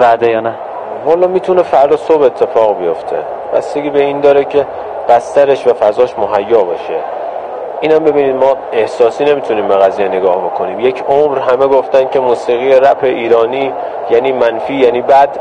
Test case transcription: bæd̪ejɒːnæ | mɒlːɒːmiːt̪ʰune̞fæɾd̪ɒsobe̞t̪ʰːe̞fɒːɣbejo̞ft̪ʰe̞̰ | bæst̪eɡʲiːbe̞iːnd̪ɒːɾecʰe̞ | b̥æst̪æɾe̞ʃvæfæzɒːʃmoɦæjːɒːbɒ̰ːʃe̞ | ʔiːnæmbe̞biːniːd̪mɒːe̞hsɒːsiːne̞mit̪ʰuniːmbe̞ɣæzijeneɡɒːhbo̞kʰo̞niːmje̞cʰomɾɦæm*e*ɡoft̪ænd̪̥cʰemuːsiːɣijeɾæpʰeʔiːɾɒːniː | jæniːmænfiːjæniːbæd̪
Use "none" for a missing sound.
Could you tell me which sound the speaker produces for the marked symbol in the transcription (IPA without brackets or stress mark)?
e